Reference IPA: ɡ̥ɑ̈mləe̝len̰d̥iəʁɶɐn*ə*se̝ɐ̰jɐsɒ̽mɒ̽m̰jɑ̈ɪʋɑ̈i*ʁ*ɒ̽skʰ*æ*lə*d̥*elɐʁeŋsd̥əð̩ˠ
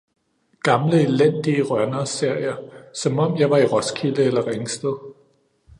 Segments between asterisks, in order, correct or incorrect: incorrect: ɐ, correct, incorrect: i, incorrect: none

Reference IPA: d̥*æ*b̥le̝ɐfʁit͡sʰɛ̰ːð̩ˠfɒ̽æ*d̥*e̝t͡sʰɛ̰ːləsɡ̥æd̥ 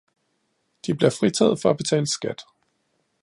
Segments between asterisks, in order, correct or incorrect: incorrect: i, incorrect: b̥

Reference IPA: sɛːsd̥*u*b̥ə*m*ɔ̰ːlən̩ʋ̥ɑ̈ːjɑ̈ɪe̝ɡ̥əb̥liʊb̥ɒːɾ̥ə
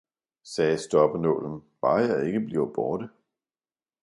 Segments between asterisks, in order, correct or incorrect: incorrect: ɒ, incorrect: n

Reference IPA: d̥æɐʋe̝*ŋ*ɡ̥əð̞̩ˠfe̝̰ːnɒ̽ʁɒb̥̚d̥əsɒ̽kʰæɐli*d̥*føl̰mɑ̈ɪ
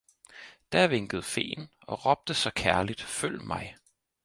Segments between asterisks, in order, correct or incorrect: correct, correct

